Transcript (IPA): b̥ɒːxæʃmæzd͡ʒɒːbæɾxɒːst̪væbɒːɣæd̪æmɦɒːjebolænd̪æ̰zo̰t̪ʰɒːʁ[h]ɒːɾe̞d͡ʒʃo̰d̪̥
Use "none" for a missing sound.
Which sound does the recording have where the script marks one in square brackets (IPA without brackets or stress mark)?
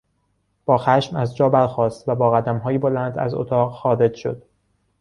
x